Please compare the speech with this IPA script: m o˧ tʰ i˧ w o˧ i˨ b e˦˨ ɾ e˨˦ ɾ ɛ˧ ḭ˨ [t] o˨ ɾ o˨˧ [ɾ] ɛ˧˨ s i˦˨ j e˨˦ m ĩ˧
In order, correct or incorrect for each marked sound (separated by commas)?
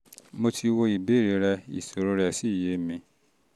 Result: incorrect, correct